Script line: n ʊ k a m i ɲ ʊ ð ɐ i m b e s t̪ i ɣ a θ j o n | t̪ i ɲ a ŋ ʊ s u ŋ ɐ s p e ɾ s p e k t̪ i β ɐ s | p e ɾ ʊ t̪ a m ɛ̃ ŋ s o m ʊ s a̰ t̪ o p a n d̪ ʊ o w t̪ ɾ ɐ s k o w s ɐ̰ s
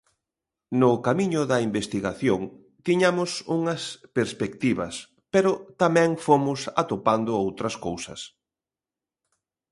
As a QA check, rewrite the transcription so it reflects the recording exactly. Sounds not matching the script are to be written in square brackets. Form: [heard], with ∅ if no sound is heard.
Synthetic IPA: n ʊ k a m i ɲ ʊ ð ɐ i m b e s t̪ i ɣ a θ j o [ŋ] | t̪ i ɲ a [m] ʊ s u ŋ ɐ s p e ɾ s p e k t̪ i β ɐ s | p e ɾ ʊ t̪ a m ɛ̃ ŋ [f] o m ʊ s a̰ t̪ o p a n d̪ ʊ o w t̪ ɾ ɐ s k o w s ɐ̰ s